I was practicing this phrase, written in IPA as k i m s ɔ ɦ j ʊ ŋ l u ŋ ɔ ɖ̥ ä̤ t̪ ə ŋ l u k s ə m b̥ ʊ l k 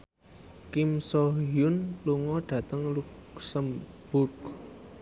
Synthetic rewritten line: k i m s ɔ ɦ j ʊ n l u ŋ ɔ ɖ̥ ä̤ t̪ ə ŋ l u k s ə m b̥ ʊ r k